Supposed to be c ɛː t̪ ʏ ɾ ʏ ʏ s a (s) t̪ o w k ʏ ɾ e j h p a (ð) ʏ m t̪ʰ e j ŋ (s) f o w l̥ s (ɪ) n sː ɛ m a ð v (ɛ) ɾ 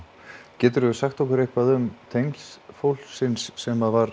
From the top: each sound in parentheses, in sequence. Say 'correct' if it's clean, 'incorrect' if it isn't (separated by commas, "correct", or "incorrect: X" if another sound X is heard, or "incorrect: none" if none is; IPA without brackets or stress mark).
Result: incorrect: x, correct, correct, correct, incorrect: a